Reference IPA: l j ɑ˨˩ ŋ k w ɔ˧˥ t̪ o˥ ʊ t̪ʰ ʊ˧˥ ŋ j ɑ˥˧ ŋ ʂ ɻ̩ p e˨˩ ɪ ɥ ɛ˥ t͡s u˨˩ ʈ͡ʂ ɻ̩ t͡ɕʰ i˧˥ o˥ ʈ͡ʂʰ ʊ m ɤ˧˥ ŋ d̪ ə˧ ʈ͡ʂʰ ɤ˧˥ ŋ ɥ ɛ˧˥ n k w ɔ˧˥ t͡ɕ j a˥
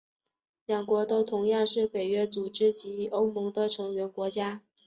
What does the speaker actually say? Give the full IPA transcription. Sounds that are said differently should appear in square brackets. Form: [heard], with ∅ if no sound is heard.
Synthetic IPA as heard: l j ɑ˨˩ ŋ k w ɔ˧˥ t̪ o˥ ʊ t̪ʰ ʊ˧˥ ŋ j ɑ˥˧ ŋ ʂ ɻ̩ p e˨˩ ɪ ɥ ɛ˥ t͡s u˨˩ ʈ͡ʂ ɻ̩ [t͡ɕ] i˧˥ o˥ [∅] ʊ m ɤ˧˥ ŋ d̪ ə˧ ʈ͡ʂʰ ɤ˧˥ ŋ ɥ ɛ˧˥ n k w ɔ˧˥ t͡ɕ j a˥